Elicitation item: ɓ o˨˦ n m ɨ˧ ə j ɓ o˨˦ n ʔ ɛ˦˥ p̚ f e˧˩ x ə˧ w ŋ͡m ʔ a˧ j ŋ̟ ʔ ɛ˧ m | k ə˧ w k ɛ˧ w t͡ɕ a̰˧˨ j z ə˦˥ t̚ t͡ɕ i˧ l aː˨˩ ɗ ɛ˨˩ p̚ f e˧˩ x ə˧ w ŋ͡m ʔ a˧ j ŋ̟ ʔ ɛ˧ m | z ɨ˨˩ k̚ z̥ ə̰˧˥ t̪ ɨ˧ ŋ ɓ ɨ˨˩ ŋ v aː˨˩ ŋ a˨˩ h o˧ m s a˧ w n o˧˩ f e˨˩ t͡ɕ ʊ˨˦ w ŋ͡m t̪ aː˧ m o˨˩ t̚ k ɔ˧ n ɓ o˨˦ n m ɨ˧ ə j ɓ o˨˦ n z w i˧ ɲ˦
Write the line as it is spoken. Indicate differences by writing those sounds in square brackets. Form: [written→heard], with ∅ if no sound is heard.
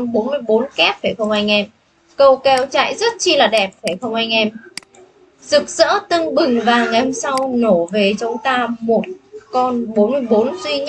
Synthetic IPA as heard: ɓ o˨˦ n m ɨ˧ ə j ɓ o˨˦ n [ʔ→k] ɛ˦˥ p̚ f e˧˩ x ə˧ w ŋ͡m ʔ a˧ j ŋ̟ ʔ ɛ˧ m | k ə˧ w k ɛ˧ w t͡ɕ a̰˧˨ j z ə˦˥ t̚ t͡ɕ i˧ l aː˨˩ ɗ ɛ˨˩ p̚ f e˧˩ x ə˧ w ŋ͡m ʔ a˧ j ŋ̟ ʔ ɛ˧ m | z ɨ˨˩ k̚ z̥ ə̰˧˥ t̪ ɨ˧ ŋ ɓ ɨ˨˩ ŋ v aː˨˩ ŋ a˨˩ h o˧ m s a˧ w n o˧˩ [f→v] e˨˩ t͡ɕ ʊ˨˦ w ŋ͡m t̪ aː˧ m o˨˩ t̚ k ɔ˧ n ɓ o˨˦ n m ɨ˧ ə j ɓ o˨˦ n z w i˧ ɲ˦